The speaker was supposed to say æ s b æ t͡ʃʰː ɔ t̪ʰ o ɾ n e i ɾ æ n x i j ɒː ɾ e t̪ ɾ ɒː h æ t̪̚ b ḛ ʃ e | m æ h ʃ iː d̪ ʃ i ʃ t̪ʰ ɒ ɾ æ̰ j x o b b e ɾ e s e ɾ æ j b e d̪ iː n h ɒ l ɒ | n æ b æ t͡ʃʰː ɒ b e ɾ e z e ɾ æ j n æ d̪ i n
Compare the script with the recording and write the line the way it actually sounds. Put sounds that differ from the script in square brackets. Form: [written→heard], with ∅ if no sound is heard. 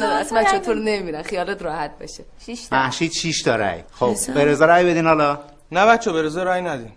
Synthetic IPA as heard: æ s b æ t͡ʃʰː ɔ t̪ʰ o ɾ n e i ɾ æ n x i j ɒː [ɾ→l] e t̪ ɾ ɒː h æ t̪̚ b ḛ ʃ e | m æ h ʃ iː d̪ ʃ i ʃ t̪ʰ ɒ ɾ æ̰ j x o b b e ɾ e [s→z] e ɾ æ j b e d̪ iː n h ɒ l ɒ | n æ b æ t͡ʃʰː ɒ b e ɾ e z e ɾ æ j n æ d̪ i n